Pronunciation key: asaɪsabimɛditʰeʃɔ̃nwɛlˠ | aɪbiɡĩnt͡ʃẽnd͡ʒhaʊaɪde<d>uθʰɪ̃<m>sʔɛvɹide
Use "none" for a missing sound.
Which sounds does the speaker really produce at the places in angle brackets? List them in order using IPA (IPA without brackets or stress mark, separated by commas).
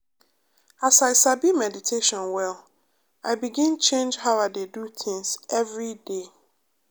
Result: d, ŋ